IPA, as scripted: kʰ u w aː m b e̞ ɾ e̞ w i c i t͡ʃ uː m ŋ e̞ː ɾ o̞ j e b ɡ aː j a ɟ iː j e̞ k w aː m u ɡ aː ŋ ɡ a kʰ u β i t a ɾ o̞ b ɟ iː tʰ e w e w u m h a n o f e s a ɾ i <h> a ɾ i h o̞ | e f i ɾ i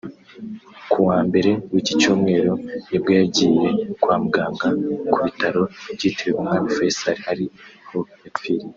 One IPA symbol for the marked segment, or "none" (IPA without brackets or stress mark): h